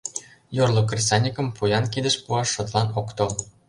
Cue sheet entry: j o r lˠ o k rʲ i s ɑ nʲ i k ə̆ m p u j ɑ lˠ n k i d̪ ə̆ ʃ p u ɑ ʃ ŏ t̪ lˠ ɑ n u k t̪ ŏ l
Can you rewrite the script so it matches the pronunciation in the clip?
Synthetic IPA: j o r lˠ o k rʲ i s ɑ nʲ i k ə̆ m p u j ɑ n k i d̪ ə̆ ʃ p u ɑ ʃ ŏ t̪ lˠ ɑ n o k t̪ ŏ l